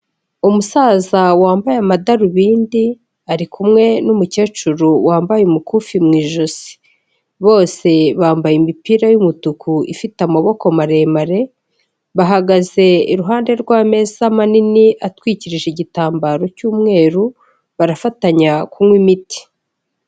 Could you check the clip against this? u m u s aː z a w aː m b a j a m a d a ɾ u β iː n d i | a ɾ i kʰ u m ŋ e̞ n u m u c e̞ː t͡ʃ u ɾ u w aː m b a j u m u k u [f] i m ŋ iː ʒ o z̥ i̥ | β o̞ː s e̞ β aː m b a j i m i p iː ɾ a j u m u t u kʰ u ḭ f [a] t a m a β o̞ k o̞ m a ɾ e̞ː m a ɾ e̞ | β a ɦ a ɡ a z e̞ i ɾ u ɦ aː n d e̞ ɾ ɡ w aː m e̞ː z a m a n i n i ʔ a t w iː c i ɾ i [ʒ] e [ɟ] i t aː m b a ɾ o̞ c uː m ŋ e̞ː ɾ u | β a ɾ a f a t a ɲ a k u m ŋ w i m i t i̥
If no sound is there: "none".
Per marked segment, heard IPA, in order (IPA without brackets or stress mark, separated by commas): f, i, ʒ, ɟ